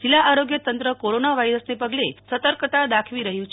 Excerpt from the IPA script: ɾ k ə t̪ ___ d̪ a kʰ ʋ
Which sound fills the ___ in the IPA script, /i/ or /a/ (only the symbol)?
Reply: a